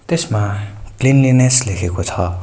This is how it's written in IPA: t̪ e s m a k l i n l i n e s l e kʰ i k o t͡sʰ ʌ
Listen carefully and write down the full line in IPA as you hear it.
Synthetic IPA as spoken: t̪ e s m a k l i n l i n e s l e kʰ e k o t͡sʰ ʌ